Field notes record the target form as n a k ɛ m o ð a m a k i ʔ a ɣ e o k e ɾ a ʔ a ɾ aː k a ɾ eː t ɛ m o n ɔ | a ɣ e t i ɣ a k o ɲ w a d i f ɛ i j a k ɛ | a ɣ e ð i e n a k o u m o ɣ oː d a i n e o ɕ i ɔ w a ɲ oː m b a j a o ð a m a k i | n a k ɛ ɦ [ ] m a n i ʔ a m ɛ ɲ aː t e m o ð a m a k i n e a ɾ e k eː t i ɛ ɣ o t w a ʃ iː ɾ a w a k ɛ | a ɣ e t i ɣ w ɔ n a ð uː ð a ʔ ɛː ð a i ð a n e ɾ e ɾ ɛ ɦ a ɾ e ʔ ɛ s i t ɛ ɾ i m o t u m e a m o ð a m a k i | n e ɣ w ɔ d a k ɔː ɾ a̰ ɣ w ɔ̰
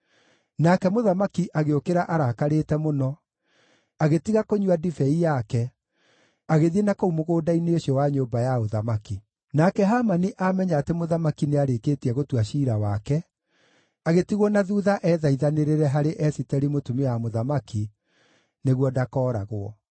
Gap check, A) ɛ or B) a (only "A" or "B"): B